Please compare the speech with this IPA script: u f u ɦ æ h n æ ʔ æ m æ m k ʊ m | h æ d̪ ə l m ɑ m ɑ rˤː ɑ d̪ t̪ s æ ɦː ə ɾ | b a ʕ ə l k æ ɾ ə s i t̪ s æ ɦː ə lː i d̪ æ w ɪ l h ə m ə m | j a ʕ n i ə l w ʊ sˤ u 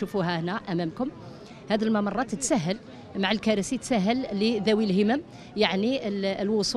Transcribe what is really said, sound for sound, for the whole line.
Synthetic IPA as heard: u f u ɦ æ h n æ ʔ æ m æ m k ʊ m | h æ d̪ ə l m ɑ m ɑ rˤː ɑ t̪ t̪ s æ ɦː ə l | m a ʕ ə l k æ ɾ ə s i t̪ s æ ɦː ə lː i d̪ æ w i l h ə m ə m | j a ʕ n i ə l w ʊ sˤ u